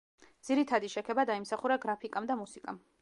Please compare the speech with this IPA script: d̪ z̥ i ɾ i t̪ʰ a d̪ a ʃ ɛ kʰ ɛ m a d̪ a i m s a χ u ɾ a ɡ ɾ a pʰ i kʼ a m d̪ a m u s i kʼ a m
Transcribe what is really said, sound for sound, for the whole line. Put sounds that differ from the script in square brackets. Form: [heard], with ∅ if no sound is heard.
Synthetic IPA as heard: d̪ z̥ i ɾ i t̪ʰ a d̪ [i] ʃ ɛ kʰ ɛ [b] a d̪ a i m s a χ u ɾ a ɡ ɾ a pʰ i kʼ a m d̪ a m u s i kʼ a m